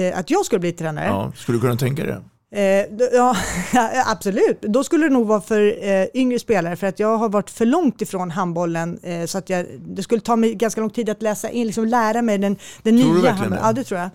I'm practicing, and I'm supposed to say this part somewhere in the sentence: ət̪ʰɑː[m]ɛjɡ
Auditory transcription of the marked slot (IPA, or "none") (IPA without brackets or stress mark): m